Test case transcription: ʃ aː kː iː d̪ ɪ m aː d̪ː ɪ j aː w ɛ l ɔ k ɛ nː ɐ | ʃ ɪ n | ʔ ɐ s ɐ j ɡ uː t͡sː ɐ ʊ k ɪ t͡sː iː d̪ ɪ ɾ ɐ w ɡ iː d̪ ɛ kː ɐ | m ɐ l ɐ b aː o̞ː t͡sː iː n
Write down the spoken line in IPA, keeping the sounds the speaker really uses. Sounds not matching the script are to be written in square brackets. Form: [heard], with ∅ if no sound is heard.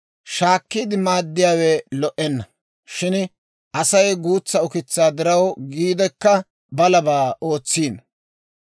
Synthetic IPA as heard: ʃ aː kː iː d̪ ɪ m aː d̪ː ɪ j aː w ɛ l ɔ [ʔ] ɛ nː ɐ | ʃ ɪ n | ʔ ɐ s ɐ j ɡ uː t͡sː ɐ ʊ k ɪ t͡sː [aː] d̪ ɪ ɾ ɐ w ɡ iː d̪ ɛ kː ɐ | [b] ɐ l ɐ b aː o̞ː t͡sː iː n